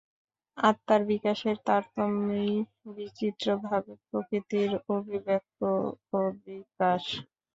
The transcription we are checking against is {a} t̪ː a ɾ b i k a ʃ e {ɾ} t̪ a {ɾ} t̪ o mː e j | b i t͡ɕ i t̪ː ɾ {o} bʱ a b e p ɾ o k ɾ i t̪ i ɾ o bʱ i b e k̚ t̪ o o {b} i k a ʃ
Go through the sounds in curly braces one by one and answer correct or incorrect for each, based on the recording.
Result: correct, correct, correct, correct, correct

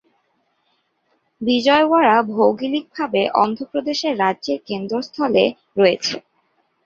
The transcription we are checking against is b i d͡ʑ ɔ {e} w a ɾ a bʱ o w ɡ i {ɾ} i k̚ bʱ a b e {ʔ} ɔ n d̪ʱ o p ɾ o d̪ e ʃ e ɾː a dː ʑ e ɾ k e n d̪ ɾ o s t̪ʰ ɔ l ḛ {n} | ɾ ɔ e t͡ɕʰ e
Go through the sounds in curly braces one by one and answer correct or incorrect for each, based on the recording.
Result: correct, incorrect, correct, incorrect

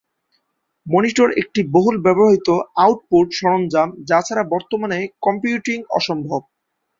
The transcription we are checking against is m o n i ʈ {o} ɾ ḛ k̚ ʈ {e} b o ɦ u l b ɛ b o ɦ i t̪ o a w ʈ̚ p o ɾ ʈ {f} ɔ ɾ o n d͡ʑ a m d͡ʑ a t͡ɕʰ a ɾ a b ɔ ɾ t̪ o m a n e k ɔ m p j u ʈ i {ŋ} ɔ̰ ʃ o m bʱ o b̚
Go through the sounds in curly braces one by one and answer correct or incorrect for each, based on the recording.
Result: correct, incorrect, incorrect, correct

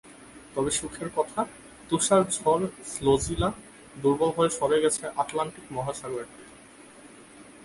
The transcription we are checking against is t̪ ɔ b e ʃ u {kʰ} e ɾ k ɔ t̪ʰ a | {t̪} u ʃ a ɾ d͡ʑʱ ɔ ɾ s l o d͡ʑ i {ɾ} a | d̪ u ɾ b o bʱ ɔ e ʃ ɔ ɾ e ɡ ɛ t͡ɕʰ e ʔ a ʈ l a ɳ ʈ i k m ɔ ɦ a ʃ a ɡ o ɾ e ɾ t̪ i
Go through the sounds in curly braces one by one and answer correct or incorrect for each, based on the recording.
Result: correct, correct, incorrect

